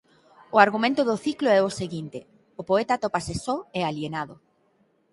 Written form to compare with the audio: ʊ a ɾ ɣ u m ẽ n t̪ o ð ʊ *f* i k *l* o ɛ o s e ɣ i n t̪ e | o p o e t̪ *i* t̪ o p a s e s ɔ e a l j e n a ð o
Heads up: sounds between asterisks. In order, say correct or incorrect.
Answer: incorrect, correct, incorrect

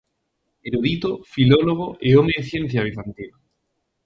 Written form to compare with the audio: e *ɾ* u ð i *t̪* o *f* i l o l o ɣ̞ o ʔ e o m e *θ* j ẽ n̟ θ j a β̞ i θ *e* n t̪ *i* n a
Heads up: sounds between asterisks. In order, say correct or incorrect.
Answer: correct, correct, correct, correct, incorrect, correct

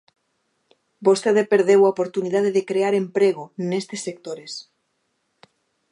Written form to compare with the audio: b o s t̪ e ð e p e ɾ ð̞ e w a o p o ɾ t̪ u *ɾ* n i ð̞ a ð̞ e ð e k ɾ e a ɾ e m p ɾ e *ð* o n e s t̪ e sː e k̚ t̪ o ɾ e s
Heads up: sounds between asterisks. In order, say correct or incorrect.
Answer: incorrect, incorrect

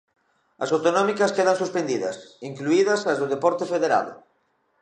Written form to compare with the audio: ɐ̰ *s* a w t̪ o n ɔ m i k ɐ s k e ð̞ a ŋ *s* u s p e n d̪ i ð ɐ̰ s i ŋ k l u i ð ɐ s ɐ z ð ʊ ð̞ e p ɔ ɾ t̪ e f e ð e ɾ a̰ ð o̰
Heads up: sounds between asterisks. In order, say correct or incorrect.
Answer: correct, correct

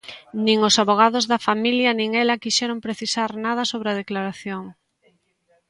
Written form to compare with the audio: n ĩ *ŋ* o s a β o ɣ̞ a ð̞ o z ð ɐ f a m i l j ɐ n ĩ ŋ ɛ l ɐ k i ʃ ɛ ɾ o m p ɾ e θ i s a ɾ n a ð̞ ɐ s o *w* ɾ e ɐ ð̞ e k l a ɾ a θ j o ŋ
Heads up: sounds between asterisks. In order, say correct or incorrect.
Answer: correct, incorrect

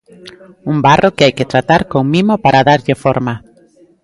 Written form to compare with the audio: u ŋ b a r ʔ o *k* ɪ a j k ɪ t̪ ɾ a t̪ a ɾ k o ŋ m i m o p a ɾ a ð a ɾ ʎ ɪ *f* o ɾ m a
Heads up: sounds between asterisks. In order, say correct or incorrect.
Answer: correct, correct

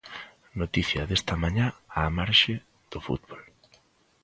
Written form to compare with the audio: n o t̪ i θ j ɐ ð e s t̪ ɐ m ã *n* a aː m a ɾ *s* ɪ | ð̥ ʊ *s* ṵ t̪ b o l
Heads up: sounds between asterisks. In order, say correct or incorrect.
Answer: incorrect, incorrect, incorrect

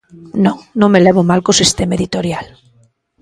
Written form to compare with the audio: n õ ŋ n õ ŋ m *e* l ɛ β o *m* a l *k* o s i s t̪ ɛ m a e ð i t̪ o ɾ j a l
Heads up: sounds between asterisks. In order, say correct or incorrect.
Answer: correct, correct, correct

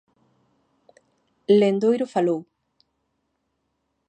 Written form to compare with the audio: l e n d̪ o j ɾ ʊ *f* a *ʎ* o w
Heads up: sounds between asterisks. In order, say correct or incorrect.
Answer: correct, incorrect

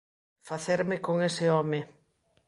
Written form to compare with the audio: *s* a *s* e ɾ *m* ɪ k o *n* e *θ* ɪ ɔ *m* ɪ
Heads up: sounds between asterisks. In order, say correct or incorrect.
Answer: incorrect, incorrect, correct, incorrect, incorrect, correct

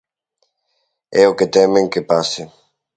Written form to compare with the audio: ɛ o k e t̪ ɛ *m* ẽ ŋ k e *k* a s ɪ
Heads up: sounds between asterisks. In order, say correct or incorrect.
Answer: correct, incorrect

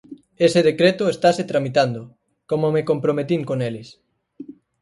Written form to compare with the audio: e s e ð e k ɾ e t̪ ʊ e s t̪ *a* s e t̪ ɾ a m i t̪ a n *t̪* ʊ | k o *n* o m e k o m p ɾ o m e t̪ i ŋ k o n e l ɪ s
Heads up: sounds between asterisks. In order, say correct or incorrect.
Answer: correct, incorrect, incorrect

